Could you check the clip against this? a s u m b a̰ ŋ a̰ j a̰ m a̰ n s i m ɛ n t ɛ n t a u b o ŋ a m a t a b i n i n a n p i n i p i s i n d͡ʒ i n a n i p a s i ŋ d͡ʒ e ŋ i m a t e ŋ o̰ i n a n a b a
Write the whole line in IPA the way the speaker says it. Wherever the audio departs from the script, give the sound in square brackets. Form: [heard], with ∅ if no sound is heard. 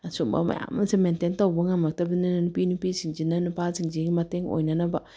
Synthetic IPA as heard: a s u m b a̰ [m] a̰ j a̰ m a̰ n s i m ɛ n t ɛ n t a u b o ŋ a m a t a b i n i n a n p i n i p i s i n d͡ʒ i n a n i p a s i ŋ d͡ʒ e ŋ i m a t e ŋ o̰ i n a n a b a